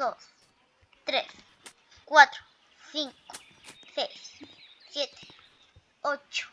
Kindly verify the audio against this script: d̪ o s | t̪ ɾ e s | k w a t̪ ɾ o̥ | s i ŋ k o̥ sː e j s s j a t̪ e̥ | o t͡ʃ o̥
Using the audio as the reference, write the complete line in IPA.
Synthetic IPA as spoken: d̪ o s | t̪ ɾ e s | k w a t̪ ɾ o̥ | s i ŋ k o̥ s e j s s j e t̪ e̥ | o t͡ʃ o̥